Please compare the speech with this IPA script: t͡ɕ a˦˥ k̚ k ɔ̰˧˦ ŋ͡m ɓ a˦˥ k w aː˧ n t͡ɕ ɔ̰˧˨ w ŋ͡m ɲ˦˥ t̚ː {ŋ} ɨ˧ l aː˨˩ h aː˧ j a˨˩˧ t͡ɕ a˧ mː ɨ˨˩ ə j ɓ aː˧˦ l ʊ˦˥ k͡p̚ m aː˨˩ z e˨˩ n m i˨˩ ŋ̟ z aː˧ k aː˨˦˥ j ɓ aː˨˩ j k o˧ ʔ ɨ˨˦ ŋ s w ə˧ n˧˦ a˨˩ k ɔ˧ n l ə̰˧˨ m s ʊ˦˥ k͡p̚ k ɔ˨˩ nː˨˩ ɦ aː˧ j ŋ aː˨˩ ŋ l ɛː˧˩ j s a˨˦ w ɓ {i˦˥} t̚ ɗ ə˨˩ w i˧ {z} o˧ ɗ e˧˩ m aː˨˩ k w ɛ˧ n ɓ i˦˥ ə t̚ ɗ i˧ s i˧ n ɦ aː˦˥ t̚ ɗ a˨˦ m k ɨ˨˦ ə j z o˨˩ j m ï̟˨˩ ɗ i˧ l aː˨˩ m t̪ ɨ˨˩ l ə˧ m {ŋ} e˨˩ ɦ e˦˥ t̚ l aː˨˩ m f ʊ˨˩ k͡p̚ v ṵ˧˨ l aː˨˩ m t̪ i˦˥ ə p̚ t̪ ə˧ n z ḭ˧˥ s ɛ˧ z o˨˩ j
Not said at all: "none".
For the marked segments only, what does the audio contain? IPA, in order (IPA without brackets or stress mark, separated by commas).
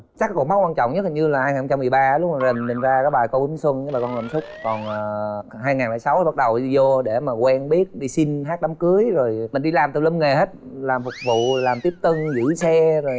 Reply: ɲ, a˦˥, z, ŋ